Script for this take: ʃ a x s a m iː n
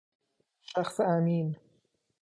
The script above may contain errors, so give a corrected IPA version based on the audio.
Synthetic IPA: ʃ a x s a m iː n